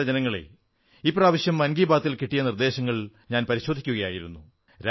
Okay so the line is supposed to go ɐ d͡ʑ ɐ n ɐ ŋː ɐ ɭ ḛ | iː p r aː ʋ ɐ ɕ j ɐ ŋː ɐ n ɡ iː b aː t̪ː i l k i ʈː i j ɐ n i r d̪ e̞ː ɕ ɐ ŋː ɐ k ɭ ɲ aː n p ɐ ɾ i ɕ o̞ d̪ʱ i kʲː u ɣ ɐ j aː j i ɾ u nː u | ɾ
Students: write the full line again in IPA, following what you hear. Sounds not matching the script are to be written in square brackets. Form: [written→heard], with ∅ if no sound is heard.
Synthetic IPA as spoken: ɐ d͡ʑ ɐ n ɐ ŋː ɐ ɭ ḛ | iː p r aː ʋ ɐ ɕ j ɐ [ŋː→mː] ɐ n ɡ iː b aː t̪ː i l k i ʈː i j ɐ n i r d̪ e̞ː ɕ ɐ ŋː ɐ [k→∅] ɭ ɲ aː n p ɐ ɾ i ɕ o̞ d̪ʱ i kʲː u ɣ ɐ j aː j i ɾ u nː u | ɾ